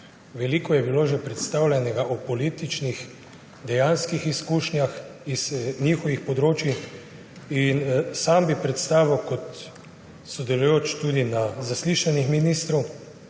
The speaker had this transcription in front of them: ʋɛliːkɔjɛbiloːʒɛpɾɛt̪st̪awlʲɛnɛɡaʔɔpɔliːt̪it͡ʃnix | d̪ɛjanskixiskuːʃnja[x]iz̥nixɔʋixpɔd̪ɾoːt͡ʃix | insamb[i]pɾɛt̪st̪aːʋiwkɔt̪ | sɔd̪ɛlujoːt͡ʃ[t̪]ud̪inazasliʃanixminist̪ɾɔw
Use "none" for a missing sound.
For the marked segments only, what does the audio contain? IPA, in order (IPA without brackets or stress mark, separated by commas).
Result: x, i, t̪